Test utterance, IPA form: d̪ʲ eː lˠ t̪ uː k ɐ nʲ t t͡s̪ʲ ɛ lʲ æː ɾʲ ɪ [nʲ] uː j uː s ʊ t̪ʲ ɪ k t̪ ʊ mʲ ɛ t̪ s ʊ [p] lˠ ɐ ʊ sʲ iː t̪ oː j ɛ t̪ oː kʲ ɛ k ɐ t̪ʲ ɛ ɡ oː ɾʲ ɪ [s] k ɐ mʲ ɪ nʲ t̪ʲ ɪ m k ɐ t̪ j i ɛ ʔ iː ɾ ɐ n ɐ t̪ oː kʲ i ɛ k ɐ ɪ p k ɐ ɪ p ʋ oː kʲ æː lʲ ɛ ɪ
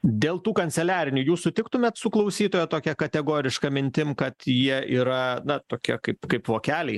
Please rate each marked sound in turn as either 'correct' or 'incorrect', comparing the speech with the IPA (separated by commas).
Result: correct, incorrect, incorrect